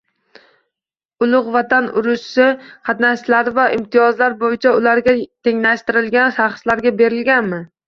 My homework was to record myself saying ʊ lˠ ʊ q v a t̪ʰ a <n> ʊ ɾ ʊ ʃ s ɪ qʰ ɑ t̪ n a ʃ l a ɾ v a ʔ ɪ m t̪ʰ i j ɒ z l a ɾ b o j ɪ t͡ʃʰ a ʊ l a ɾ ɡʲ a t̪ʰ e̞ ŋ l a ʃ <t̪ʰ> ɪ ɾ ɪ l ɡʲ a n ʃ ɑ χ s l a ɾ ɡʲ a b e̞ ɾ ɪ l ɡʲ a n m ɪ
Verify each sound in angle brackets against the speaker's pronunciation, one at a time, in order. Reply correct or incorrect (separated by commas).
correct, incorrect